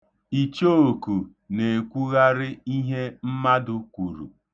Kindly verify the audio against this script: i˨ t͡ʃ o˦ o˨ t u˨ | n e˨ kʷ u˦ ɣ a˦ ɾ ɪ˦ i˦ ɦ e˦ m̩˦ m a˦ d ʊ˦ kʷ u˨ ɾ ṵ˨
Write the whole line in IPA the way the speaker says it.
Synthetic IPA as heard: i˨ t͡ʃ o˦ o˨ k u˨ | n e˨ kʷ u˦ ɣ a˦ ɾ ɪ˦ i˦ ɦ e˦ m̩˦ m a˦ d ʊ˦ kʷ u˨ ɾ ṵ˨